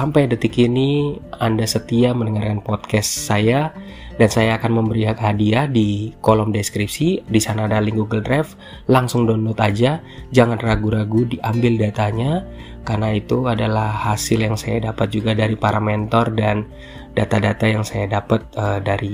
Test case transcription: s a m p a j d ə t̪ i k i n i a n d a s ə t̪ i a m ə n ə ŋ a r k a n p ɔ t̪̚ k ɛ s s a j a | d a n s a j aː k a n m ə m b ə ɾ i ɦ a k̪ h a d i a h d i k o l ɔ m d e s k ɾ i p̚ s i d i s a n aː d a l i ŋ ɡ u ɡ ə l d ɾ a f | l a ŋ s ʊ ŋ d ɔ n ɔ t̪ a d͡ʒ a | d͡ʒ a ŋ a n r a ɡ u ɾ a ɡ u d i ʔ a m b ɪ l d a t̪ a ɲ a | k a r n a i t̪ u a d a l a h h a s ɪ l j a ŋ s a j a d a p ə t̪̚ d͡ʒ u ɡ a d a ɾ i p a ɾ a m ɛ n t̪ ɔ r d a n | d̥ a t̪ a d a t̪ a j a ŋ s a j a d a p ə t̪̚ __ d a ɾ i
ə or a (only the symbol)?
ə